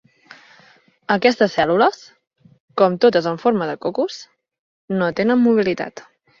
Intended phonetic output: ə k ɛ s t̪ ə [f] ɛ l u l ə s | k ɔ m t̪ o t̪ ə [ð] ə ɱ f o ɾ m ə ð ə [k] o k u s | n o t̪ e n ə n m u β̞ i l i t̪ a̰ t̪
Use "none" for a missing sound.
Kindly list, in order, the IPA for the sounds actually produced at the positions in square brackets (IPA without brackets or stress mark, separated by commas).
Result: s, z, k